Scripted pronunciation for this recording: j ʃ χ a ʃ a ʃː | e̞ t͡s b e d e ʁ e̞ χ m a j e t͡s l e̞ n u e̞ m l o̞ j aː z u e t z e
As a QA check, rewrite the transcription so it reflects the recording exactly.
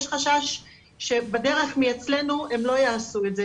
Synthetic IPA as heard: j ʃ χ a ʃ a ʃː | e̞ b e d e ʁ e̞ χ m i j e t͡s l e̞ n u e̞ m l o̞ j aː s u e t z e